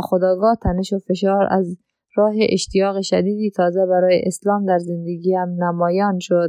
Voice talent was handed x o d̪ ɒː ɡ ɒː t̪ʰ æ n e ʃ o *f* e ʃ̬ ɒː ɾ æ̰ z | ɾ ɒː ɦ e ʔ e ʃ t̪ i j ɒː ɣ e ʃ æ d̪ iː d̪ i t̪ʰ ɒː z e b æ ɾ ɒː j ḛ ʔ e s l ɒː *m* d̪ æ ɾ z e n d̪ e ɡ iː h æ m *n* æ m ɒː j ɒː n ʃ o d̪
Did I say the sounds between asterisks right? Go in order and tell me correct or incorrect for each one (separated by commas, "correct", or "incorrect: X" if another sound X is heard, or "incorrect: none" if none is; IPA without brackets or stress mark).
correct, correct, correct